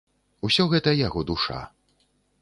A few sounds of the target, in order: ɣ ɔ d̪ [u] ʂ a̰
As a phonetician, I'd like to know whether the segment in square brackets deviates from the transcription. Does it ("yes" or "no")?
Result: no